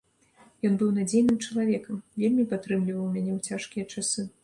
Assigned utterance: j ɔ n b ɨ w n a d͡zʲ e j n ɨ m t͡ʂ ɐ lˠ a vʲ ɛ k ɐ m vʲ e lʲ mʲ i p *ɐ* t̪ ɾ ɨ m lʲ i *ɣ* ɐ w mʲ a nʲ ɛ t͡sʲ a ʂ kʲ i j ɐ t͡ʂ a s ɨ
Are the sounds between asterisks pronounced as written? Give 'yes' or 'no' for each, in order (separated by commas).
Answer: no, no